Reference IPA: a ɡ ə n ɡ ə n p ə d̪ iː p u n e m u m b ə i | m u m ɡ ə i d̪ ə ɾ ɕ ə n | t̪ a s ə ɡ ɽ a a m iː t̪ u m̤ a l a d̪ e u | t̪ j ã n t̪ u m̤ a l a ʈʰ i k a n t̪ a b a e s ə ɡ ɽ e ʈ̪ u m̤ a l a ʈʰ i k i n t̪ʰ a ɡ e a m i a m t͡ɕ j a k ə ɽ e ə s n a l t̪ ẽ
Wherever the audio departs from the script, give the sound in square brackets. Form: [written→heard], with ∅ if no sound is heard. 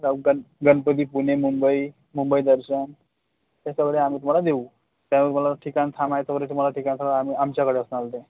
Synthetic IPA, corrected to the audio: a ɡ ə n ɡ ə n p ə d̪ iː p u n e m u m b ə i | m u m [ɡ→b] ə i d̪ ə ɾ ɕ ə n | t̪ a s ə ɡ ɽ [a→e] a m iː t̪ u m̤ a l a d̪ e u | t̪ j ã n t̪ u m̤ a l a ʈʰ i k a n [t̪→t̪ʰ] a [b→m] a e s ə ɡ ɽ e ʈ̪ u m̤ a l a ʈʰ i k [i→a] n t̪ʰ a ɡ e a m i a m t͡ɕ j a k ə ɽ e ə s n a l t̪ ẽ